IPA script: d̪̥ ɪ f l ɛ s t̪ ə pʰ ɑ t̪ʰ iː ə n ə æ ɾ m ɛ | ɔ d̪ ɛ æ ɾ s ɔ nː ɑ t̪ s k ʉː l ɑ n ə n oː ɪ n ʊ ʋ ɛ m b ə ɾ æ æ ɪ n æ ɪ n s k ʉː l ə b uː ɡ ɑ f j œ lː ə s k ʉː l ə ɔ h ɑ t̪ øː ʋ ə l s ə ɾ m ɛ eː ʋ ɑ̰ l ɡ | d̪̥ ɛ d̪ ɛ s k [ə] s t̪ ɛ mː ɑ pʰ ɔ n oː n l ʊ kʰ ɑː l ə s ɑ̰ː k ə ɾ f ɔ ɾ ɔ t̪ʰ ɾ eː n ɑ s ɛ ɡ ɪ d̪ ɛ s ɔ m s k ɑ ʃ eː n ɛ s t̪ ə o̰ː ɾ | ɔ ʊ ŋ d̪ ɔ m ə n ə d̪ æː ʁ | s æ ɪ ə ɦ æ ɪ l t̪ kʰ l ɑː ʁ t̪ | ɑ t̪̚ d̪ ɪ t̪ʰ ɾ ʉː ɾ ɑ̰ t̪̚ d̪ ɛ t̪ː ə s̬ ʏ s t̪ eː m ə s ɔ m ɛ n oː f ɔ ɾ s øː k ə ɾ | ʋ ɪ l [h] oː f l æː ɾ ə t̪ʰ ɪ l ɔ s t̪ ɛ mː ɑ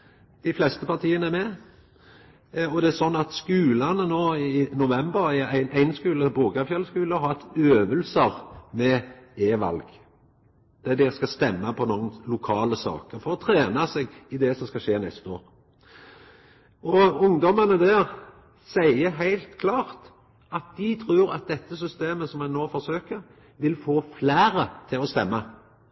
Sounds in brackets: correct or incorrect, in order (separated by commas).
incorrect, incorrect